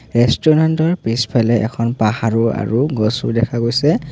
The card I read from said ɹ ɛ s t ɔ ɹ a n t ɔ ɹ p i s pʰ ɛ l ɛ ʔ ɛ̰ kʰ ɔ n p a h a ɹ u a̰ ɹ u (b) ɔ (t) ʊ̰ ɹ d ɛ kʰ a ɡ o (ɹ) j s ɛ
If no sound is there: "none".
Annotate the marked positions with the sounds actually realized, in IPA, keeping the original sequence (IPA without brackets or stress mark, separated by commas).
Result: ɡ, s, none